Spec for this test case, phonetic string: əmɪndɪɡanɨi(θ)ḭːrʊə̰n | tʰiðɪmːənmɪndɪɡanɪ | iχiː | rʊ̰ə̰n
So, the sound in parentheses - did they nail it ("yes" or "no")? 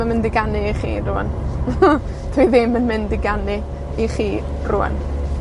no